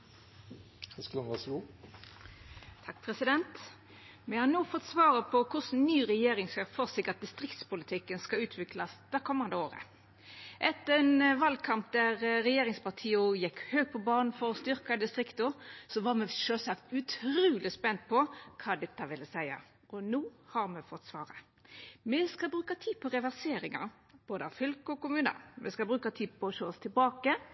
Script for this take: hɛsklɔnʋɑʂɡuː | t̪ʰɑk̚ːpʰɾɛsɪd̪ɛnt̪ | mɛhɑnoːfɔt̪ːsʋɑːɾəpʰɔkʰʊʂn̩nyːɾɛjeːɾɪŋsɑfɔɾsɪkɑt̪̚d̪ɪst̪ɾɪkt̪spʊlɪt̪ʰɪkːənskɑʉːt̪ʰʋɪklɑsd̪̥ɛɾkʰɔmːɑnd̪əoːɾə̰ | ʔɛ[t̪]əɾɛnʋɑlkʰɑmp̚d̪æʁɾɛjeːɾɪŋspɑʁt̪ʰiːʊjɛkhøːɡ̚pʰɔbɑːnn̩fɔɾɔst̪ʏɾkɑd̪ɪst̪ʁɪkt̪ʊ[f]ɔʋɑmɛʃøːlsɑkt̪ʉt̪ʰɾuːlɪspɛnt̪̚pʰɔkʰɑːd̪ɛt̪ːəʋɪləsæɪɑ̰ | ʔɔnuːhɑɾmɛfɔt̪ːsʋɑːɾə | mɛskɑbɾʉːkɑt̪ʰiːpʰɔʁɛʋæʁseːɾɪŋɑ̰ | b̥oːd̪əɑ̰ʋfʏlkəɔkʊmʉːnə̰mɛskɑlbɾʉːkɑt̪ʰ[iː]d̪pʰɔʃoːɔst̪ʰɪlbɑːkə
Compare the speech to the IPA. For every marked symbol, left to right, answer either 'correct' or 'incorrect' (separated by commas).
correct, incorrect, correct